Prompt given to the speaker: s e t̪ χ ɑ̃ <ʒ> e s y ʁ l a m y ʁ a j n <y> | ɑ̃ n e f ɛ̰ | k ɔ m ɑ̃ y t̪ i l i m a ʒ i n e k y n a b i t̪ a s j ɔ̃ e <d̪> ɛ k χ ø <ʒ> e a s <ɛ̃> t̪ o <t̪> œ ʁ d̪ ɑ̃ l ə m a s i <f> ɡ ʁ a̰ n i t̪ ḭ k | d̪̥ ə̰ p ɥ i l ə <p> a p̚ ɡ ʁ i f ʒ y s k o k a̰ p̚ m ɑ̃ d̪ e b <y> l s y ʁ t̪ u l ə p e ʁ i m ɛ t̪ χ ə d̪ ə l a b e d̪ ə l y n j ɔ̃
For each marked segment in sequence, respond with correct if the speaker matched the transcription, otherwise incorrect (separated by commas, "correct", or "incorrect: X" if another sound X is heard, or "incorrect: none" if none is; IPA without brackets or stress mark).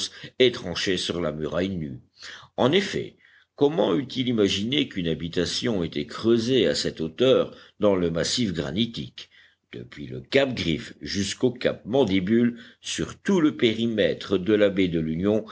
incorrect: ʃ, correct, incorrect: t̪, incorrect: z, incorrect: ɛ, correct, correct, incorrect: k, correct